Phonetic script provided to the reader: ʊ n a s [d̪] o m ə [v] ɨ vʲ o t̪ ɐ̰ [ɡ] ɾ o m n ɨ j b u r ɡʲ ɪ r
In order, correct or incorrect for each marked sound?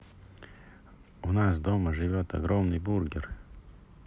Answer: correct, incorrect: ʐ, correct

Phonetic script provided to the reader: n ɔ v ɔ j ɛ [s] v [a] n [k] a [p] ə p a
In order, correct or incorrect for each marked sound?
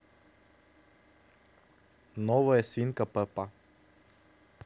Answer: correct, incorrect: i, correct, correct

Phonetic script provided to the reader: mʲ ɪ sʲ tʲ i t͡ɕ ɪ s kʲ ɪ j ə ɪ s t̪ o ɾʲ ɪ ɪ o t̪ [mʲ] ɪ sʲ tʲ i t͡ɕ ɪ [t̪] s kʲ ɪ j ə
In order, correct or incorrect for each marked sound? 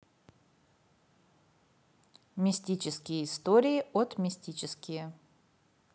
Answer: correct, incorrect: none

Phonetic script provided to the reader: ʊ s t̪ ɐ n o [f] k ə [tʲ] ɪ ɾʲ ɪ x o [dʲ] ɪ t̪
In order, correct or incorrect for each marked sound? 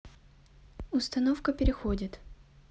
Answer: correct, incorrect: pʲ, correct

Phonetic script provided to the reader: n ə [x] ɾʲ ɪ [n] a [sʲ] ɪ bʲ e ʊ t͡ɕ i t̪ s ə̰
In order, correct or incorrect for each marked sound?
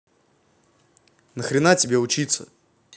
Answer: correct, correct, incorrect: tʲ

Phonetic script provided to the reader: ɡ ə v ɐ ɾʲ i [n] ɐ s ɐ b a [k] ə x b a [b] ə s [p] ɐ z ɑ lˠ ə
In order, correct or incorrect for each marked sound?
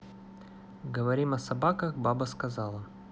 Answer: incorrect: m, correct, correct, incorrect: k

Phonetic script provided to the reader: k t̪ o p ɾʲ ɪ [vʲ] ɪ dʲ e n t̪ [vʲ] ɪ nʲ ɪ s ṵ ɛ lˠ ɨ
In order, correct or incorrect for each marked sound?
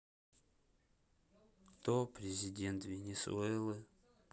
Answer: incorrect: zʲ, correct

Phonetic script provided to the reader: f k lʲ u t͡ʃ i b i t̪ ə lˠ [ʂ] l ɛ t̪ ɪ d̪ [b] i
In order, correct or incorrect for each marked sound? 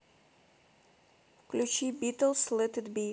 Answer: incorrect: s, correct

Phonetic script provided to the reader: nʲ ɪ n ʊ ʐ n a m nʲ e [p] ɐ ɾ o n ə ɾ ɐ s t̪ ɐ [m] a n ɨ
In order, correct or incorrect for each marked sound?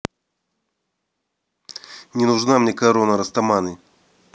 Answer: incorrect: k, correct

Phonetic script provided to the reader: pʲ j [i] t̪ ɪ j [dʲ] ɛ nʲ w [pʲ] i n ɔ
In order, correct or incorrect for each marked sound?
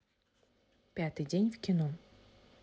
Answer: incorrect: a, correct, incorrect: kʲ

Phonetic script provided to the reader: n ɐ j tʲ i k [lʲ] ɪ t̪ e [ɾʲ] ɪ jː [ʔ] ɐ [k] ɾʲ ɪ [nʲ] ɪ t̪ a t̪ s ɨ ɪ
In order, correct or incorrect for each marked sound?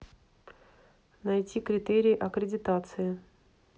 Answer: incorrect: ɾʲ, correct, correct, correct, incorrect: dʲ

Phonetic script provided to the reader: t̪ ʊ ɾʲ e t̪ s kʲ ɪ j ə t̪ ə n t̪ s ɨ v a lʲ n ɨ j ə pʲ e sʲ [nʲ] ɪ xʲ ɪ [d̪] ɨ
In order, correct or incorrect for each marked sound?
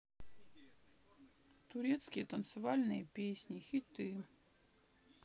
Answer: correct, incorrect: t̪

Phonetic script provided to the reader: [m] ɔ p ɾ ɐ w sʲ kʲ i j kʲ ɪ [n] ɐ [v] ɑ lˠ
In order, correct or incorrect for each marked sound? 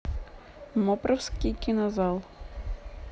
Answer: correct, correct, incorrect: z

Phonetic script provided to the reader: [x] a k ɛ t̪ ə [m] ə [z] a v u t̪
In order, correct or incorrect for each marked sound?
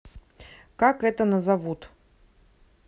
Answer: incorrect: k, incorrect: n, correct

